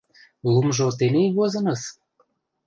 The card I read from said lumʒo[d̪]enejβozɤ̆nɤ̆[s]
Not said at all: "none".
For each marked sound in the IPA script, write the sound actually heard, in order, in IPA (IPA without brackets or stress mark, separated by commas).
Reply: t̪, s